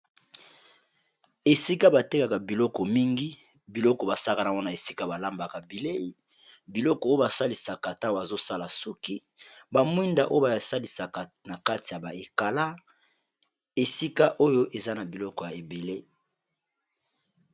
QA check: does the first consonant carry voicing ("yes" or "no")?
no